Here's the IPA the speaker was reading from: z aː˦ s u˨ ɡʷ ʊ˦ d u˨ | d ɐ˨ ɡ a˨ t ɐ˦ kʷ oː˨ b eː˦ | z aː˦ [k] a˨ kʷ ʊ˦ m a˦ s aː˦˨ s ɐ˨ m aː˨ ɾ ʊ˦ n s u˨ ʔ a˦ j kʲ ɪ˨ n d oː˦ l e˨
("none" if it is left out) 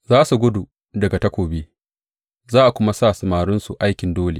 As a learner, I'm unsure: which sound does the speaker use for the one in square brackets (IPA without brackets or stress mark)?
ʔ